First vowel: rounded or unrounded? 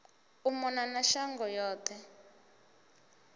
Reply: rounded